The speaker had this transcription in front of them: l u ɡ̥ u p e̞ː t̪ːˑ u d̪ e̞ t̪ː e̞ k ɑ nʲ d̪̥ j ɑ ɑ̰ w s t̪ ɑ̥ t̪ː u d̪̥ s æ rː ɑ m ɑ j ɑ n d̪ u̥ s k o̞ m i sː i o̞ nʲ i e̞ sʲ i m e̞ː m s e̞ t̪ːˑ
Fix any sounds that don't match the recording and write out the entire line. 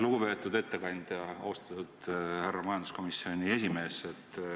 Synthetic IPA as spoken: l u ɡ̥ u p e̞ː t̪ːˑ u d̪ e̞ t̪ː e̞ k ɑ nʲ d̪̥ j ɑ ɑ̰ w s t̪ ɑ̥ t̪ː u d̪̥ h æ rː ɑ m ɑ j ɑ n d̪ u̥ s k o̞ m i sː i o̞ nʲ i e̞ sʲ i m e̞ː s e̞ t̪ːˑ